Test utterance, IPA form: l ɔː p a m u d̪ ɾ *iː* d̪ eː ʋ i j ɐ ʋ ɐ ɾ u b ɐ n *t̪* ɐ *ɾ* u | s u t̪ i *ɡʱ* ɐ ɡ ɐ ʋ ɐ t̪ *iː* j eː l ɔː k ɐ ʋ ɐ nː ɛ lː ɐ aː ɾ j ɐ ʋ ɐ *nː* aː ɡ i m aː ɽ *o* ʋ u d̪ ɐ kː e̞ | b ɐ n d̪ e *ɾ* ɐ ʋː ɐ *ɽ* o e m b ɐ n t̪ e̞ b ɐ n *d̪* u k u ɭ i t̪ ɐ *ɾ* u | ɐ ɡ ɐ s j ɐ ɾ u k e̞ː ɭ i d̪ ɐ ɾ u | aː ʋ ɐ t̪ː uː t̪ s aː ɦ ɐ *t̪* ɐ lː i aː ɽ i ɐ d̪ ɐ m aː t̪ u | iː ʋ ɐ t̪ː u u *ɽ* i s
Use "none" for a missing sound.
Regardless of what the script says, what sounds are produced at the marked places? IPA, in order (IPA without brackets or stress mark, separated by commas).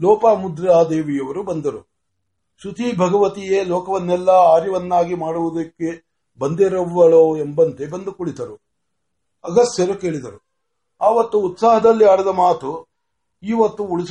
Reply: aː, d̪, ɾ, bʱ, i, nː, u, ɾ, ɭ, d̪, ɾ, d̪, ɭ